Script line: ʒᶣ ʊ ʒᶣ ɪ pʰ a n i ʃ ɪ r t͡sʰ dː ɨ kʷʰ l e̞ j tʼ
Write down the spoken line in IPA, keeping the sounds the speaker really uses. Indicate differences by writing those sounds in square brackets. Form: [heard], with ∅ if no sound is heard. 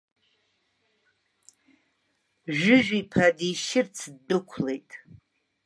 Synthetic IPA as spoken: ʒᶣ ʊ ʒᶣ [i] pʰ a [d] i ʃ ɪ r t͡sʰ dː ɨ kʷʰ l e̞ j tʼ